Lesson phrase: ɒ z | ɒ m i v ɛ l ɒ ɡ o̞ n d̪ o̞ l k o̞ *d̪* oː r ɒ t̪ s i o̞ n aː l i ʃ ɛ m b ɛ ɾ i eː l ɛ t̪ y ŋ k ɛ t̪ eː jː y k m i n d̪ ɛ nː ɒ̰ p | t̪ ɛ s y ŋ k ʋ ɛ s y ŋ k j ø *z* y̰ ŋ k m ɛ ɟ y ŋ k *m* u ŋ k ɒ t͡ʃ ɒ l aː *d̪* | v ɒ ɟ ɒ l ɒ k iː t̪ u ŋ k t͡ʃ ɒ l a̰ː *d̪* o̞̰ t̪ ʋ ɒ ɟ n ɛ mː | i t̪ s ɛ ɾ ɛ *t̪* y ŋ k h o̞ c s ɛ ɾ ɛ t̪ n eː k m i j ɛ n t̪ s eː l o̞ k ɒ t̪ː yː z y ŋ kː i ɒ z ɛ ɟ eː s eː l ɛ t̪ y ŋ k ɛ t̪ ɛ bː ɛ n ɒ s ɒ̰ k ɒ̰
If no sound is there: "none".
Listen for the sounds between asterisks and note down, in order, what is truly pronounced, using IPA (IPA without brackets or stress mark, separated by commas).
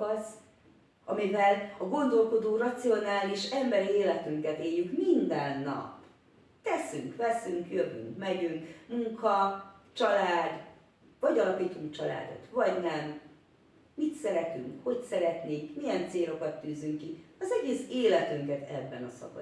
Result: d̪, v, m, d̪, d̪, t̪